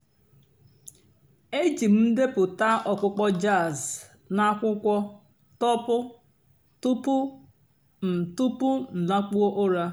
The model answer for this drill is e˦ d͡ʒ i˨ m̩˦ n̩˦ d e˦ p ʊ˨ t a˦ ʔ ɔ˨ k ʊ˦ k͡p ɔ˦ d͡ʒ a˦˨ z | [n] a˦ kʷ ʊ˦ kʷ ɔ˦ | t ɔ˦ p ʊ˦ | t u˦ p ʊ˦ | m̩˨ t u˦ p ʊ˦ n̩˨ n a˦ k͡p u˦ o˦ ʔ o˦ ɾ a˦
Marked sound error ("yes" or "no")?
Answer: no